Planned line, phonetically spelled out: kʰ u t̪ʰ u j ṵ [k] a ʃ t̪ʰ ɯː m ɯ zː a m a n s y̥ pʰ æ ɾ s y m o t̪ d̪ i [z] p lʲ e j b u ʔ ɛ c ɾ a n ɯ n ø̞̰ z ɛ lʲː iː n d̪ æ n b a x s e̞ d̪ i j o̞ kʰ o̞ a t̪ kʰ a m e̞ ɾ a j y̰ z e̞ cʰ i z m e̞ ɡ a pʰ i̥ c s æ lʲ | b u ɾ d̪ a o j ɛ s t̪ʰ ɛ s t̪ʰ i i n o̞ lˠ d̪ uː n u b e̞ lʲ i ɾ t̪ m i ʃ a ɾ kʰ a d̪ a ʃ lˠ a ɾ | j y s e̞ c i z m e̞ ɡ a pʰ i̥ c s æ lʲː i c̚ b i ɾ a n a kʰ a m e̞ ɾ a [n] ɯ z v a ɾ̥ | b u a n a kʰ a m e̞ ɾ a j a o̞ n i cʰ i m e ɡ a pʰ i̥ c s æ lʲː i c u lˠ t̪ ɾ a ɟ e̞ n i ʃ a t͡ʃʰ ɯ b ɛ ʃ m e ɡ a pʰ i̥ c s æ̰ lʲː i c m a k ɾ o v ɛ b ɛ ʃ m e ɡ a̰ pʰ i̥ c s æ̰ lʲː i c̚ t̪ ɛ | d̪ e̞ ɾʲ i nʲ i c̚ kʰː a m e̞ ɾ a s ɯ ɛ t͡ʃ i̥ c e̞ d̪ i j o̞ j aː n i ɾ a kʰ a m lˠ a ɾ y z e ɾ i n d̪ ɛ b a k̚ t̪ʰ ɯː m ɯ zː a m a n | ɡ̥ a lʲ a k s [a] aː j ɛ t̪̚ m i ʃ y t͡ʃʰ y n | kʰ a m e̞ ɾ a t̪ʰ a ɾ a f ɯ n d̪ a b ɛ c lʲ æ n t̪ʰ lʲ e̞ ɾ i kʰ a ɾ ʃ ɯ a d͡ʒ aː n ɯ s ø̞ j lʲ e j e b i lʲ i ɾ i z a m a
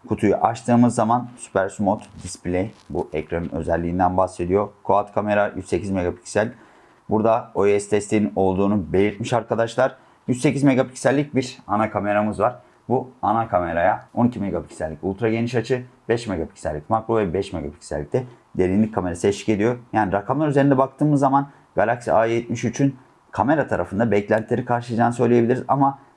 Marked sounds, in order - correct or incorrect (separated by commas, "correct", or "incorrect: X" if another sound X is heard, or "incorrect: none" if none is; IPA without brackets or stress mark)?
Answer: incorrect: ʔ, incorrect: s, incorrect: m, incorrect: i